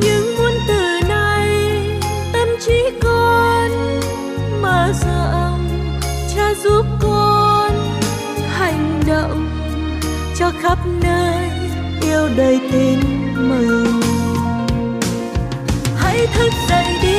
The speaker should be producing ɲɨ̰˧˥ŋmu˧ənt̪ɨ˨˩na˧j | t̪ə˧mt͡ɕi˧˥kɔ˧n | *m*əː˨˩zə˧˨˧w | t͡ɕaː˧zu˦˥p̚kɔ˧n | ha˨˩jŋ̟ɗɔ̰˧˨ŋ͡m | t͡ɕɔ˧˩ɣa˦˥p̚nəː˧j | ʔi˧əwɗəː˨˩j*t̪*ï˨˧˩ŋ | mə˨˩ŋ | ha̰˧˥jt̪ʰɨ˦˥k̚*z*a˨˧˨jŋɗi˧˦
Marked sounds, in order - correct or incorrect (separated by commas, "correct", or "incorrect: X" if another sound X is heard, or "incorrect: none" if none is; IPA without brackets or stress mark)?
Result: correct, correct, correct